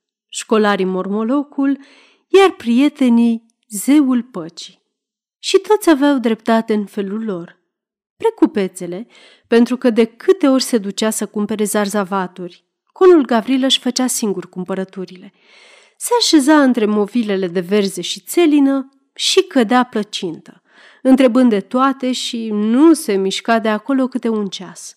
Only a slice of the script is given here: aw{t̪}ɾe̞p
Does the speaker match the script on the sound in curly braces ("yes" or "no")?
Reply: no